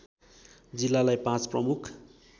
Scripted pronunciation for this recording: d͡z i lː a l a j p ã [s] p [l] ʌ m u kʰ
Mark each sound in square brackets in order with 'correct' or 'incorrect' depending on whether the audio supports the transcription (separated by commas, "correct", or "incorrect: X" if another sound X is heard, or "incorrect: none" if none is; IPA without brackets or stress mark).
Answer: incorrect: t͡s, incorrect: r